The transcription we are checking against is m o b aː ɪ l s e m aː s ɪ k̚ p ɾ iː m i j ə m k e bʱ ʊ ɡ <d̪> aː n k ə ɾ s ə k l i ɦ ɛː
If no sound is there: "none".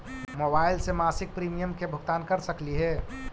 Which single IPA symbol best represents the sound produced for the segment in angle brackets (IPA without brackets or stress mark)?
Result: t̪